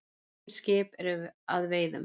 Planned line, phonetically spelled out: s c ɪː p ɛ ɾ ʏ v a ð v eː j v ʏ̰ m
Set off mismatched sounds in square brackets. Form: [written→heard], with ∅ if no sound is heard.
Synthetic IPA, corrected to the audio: s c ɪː p ɛ ɾ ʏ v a ð v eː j [v→ð] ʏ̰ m